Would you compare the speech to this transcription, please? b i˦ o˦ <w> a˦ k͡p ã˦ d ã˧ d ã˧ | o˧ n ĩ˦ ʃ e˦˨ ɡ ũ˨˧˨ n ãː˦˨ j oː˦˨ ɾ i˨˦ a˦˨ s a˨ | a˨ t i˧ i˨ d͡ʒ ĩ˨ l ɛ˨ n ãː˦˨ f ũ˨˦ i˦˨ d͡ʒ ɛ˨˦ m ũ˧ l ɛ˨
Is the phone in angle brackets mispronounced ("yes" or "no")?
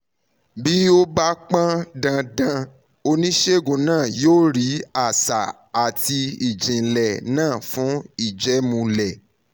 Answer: yes